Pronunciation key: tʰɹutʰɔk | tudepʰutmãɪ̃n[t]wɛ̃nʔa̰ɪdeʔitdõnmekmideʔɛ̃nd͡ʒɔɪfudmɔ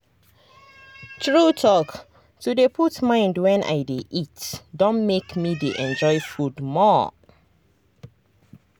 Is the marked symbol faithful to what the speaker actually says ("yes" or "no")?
no